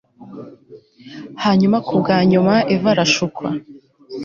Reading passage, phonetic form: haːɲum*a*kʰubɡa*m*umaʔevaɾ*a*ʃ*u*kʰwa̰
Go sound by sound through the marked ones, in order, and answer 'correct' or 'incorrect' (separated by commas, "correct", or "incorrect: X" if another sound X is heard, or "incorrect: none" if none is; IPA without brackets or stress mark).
correct, incorrect: ɲ, correct, correct